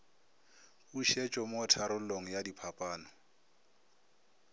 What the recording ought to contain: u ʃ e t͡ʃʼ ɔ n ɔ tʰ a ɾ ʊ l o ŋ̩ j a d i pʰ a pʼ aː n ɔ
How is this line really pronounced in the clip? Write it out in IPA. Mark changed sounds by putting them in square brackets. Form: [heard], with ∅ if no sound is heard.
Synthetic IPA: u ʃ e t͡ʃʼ ɔ [m] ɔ tʰ a ɾ ʊ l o ŋ̩ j a d i pʰ a pʼ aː n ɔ